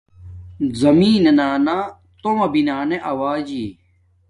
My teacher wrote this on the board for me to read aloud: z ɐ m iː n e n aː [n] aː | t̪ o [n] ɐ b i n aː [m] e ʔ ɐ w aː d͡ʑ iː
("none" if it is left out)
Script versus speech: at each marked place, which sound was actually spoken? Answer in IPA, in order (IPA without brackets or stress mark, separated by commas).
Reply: n, m, n